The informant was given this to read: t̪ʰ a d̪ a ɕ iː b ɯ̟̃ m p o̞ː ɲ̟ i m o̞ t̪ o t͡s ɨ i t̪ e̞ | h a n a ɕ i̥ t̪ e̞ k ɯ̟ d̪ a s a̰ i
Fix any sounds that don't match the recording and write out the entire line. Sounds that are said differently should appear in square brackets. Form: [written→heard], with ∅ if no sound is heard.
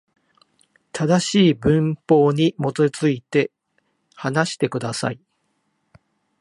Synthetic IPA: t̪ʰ a d̪ a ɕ iː b ɯ̟̃ m p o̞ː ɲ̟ i m o̞ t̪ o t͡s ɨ i t̪ e̞ | h a n a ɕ i̥ t̪ e̞ k ɯ̟ d̪ a s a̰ i